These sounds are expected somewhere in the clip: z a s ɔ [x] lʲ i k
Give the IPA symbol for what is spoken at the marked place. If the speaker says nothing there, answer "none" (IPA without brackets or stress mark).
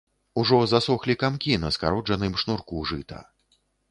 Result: x